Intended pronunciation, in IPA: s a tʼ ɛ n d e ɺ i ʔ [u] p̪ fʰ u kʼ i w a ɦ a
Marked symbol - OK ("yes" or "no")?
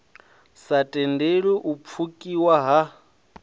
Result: yes